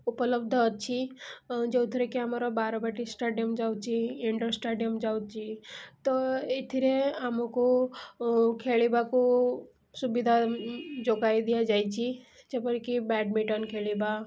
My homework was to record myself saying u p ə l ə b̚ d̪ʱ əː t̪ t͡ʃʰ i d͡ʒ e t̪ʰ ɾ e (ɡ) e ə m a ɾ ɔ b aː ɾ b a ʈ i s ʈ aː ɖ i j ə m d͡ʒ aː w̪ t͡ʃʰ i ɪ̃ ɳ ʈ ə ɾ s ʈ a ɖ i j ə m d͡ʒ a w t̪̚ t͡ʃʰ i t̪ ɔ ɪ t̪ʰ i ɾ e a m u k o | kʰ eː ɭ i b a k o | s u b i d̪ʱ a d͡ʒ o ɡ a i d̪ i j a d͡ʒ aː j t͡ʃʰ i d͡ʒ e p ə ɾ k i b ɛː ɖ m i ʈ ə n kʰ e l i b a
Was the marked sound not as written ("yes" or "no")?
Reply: yes